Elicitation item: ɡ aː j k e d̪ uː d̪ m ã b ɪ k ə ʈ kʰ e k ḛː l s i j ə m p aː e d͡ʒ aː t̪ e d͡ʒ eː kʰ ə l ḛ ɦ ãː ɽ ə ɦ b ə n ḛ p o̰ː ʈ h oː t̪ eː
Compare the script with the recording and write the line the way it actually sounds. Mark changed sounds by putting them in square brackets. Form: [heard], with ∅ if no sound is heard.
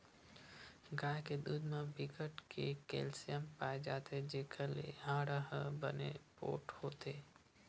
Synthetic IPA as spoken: ɡ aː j k e d̪ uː d̪ m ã b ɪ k ə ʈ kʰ e k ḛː l s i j ə m p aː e d͡ʒ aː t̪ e d͡ʒ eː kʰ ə l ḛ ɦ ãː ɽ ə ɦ b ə n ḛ p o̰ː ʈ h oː t̪ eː

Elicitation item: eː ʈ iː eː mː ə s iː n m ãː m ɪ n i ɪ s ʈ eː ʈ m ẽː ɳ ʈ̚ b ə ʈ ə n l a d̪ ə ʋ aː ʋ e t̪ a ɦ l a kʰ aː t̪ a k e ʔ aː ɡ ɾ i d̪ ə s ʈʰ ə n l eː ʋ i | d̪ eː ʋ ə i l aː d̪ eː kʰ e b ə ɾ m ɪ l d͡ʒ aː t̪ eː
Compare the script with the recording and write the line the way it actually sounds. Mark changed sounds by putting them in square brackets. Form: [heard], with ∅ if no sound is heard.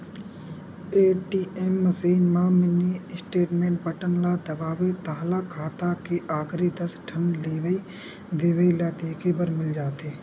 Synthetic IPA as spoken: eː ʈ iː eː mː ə s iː n m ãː m ɪ n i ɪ s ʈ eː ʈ m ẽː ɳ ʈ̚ b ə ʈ ə n l a d̪ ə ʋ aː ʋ e t̪ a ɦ l a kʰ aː t̪ a k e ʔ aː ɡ ɾ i d̪ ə s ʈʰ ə n l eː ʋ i | d̪ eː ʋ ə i l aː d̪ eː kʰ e b ə ɾ m ɪ l d͡ʒ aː t̪ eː

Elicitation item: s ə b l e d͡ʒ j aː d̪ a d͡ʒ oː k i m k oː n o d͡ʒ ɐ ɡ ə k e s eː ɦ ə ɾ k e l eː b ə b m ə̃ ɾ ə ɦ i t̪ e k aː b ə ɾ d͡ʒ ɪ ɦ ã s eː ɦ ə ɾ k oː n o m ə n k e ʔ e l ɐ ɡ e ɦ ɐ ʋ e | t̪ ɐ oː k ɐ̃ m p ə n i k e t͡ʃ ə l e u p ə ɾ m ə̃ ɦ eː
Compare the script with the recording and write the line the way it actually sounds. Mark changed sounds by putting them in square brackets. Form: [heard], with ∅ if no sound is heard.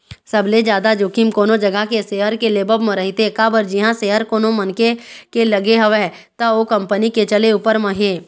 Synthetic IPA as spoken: s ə b l e d͡ʒ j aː d̪ a d͡ʒ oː k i m k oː n o d͡ʒ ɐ ɡ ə k e s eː ɦ ə ɾ k e l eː b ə b m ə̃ ɾ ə ɦ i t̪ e k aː b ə ɾ d͡ʒ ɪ ɦ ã s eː ɦ ə ɾ k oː n o m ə n k e [k] e l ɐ ɡ e ɦ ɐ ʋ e | t̪ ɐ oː k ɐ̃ m p ə n i k e t͡ʃ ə l e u p ə ɾ m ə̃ ɦ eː

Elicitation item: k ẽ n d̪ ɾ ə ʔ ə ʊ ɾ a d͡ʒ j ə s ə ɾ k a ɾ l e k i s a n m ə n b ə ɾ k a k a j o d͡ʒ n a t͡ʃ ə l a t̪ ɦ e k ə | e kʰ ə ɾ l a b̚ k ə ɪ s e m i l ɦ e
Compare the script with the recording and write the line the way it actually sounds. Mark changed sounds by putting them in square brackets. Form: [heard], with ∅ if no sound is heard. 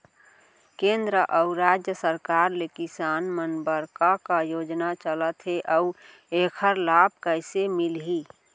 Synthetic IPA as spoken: k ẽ n d̪ ɾ ə ʔ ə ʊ ɾ a d͡ʒ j ə s ə ɾ k a ɾ l e k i s a n m ə n b ə ɾ k a k a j o d͡ʒ n a t͡ʃ ə l [ə] t̪ ɦ e [ʔ] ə | e kʰ ə ɾ l a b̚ k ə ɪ s e m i l ɦ [i]

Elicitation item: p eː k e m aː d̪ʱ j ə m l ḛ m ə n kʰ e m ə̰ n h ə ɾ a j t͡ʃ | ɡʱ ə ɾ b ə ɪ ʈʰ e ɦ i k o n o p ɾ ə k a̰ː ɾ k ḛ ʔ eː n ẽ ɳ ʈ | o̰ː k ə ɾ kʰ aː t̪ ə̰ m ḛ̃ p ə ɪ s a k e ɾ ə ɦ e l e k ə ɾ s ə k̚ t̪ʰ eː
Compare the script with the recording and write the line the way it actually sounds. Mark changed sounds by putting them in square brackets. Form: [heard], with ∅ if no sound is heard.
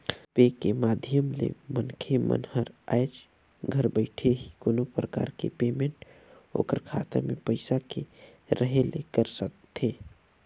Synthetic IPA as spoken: p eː k e m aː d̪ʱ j ə m l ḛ m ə n kʰ e m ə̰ n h ə ɾ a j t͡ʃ | ɡʱ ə ɾ b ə ɪ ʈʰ e ɦ i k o n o p ɾ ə k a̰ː ɾ k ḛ [p] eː [m] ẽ ɳ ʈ | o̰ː k ə ɾ kʰ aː t̪ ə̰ m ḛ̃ p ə ɪ s a k e ɾ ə ɦ e l e k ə ɾ s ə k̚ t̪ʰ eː

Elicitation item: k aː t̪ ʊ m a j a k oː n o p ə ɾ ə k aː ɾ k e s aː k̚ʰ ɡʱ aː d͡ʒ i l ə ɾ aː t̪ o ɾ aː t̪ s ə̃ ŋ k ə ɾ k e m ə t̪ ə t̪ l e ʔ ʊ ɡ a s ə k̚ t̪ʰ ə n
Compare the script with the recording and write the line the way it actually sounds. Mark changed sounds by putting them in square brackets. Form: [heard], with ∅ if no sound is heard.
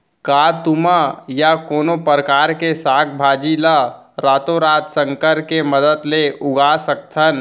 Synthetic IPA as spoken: k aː t̪ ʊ m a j a k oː n o p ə ɾ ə k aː ɾ k e s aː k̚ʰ [bʱ] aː d͡ʒ i l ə ɾ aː t̪ o ɾ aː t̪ s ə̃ ŋ k ə ɾ k e m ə [d̪] ə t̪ l e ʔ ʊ ɡ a s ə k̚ t̪ʰ ə n

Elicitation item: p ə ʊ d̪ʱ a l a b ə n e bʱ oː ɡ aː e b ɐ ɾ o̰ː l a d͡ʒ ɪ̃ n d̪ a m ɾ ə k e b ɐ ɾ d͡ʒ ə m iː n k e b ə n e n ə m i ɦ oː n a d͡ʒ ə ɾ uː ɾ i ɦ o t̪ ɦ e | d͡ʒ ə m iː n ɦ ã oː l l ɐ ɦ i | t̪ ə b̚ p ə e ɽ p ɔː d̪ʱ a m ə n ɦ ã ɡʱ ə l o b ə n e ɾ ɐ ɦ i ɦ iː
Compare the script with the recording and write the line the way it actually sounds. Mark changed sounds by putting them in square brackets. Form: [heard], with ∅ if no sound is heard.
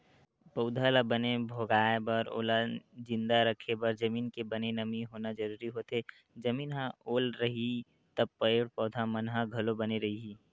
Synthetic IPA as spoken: p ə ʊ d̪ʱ a l a b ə n e bʱ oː ɡ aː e b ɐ ɾ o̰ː l a d͡ʒ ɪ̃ n d̪ a [∅] ɾ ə [kʰ] e b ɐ ɾ d͡ʒ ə m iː n k e b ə n e n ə m i ɦ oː n a d͡ʒ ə ɾ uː ɾ i ɦ o t̪ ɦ e | d͡ʒ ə m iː n ɦ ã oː l [ɾ] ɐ ɦ i | t̪ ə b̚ p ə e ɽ p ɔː d̪ʱ a m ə n ɦ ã ɡʱ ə l o b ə n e ɾ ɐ ɦ i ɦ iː

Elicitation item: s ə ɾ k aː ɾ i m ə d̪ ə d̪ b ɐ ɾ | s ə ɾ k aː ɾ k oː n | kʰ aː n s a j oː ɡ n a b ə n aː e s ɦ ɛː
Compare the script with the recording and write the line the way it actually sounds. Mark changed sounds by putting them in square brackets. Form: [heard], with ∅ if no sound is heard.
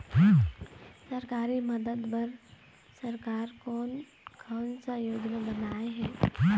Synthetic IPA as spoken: s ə ɾ k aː ɾ i m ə d̪ ə d̪ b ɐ ɾ | s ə ɾ k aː ɾ k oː n | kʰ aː n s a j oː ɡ n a b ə n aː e [∅] ɦ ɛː

